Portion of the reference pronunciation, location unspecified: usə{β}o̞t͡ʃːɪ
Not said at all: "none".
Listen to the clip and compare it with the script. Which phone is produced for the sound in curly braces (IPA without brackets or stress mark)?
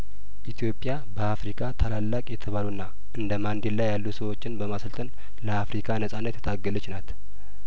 w